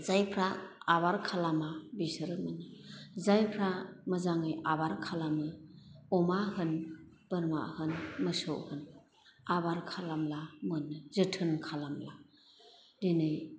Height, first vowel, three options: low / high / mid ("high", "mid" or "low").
low